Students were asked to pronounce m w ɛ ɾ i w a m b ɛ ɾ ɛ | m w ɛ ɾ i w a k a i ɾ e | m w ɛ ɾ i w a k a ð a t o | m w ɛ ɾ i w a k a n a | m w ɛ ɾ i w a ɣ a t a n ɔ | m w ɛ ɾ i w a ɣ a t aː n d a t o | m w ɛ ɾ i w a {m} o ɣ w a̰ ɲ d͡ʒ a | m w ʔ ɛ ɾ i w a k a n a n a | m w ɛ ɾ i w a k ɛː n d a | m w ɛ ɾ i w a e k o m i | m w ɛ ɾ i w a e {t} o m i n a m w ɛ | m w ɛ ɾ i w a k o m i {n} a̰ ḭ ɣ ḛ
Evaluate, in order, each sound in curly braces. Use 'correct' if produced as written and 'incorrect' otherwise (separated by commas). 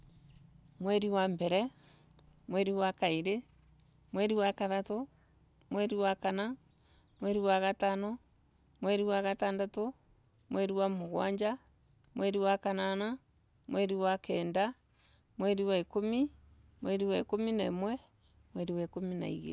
correct, incorrect, correct